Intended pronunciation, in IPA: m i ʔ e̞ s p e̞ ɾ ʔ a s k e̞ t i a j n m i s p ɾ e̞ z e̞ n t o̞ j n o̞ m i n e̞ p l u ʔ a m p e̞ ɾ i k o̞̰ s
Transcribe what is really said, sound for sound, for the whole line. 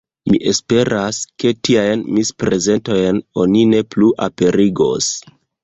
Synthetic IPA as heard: m i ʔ e̞ s p e̞ ɾ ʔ a s k e̞ t i a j n m i s p ɾ e̞ z e̞ n t o̞ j n o̞ n i n e̞ p l u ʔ a p e̞ ɾ i ɡ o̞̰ s